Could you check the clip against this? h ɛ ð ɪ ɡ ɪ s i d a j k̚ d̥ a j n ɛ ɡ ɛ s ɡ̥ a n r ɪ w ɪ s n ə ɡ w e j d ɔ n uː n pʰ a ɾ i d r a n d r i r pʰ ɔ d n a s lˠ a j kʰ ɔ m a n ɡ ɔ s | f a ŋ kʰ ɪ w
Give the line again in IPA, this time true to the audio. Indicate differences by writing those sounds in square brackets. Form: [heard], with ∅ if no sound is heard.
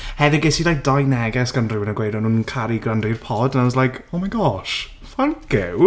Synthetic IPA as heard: h ɛ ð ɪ ɡ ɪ s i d a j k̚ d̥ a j n ɛ ɡ ɛ s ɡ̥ a n r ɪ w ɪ [∅] n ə ɡ w e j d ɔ n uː n [kʰ] a ɾ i [ɡ] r a n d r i r pʰ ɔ d n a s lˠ a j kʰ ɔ m a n ɡ ɔ [ʃ] | f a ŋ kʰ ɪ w